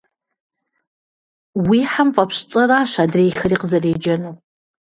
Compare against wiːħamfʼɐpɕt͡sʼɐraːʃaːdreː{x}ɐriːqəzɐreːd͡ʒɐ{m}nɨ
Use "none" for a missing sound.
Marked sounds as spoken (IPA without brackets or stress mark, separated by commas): x, none